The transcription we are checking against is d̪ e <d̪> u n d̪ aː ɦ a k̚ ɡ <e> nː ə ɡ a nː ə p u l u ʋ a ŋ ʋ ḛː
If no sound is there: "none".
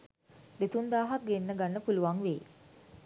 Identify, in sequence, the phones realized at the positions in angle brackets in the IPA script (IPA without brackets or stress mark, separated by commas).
t̪, e